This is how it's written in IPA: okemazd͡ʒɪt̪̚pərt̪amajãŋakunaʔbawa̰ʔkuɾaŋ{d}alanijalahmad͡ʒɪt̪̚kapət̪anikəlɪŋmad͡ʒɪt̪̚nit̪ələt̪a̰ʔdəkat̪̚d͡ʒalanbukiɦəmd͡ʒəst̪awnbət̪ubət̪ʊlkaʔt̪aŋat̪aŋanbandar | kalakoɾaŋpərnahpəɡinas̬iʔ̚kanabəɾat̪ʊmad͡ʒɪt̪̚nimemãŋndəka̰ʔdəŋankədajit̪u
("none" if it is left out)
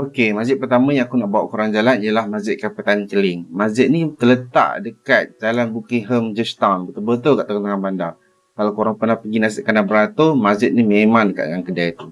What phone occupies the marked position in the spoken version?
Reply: d͡ʒ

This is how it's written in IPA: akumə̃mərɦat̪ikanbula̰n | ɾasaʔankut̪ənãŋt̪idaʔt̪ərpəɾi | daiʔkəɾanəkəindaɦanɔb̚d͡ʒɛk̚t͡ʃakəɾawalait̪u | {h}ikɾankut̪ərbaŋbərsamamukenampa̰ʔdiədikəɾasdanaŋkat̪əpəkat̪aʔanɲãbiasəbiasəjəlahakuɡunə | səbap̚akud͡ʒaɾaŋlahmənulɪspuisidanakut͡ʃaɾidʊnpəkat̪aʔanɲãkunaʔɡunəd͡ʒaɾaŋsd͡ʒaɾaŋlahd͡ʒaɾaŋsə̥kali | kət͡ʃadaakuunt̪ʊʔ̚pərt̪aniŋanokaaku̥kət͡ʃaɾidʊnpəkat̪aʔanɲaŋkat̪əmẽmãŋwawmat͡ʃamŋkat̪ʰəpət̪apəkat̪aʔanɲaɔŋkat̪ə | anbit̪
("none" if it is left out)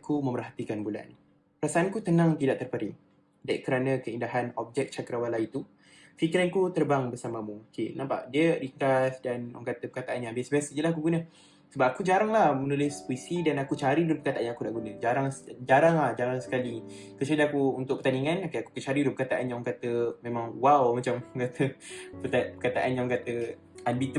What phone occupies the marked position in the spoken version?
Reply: f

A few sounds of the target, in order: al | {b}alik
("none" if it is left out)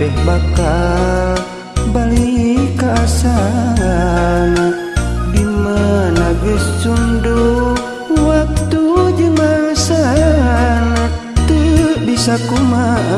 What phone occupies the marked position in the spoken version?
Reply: b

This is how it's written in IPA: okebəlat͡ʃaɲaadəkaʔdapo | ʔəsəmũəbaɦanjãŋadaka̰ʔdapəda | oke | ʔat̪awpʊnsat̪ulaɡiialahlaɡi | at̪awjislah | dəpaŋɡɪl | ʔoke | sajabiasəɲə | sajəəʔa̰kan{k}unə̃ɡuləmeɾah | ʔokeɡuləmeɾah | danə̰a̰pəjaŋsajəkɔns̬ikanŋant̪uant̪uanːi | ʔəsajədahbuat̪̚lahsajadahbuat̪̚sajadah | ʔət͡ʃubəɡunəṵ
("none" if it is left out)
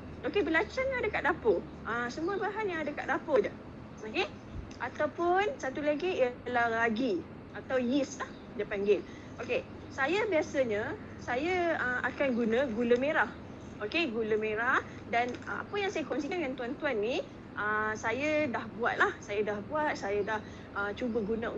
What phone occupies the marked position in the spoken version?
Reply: ɡ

